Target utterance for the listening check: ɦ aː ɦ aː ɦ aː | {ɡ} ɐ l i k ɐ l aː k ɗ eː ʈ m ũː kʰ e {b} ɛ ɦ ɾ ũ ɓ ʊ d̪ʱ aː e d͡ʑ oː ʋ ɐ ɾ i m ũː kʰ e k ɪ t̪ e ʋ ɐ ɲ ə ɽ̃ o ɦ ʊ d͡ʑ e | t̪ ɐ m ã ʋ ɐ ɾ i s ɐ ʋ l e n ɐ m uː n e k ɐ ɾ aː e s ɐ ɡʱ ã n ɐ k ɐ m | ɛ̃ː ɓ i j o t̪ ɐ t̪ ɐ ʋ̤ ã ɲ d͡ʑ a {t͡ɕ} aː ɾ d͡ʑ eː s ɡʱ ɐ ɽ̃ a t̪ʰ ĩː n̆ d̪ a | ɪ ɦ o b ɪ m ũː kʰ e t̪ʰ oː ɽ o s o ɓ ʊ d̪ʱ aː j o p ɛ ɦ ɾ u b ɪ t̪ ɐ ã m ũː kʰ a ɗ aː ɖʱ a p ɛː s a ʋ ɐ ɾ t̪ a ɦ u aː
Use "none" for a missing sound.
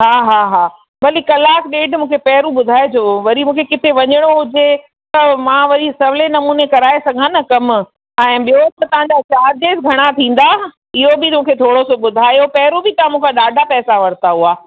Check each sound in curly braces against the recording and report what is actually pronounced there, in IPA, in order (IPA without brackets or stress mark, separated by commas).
b, p, t͡ɕ